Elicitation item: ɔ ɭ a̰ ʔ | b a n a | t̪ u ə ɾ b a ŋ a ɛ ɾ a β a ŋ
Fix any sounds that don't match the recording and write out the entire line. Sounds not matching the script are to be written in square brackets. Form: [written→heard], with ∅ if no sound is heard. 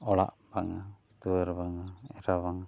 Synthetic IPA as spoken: ɔ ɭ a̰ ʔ | b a [n→ŋ] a | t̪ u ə ɾ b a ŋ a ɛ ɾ a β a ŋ